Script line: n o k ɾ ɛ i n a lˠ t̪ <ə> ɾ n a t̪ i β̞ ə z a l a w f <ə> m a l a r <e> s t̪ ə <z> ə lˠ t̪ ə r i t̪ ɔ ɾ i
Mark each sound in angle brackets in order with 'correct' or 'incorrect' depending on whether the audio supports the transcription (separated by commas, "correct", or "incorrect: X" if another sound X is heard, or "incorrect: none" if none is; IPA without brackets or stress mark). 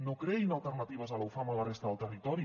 correct, incorrect: a, correct, incorrect: ð